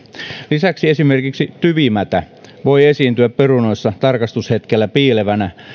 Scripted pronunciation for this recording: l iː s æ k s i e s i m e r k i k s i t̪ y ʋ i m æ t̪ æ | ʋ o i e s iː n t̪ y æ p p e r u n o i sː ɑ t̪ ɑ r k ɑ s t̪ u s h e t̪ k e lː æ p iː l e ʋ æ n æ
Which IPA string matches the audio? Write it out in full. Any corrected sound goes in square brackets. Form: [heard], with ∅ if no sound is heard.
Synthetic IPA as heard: l [i] s æ k s i e s i m e r k i k s i t̪ y ʋ i m æ t̪ æ | ʋ o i e s iː n t̪ y æ p p e r u n o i sː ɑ t̪ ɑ r k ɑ s t̪ u s h e t̪ k e lː æ p iː l e ʋ æ n æ